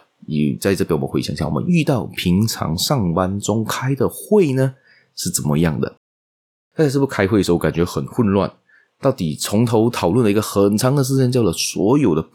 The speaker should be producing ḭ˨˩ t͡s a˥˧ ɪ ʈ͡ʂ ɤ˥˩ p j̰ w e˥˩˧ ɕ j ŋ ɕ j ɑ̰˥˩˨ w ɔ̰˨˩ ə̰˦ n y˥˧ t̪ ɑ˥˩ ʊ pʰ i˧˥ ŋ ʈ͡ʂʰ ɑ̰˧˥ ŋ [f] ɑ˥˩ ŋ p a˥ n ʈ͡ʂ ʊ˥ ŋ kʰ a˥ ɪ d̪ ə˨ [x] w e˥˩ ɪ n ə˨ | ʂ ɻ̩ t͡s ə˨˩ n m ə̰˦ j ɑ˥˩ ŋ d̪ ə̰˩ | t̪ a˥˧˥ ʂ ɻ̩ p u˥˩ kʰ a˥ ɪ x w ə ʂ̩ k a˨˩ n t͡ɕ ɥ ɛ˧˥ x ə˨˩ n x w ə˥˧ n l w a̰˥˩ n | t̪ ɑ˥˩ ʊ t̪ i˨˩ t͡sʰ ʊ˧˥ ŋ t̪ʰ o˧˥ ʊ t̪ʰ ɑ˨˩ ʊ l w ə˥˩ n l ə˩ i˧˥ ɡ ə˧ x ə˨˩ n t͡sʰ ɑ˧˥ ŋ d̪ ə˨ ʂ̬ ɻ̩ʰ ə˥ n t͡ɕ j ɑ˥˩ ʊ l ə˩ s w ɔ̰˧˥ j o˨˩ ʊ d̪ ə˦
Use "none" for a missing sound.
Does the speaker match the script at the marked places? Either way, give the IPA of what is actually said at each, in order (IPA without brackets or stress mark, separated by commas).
ʂ, x